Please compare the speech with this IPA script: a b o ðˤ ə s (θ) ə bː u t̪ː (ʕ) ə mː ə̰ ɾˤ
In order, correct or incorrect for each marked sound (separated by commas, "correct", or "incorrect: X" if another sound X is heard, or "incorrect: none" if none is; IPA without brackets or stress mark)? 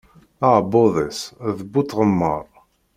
incorrect: ð, incorrect: ʁ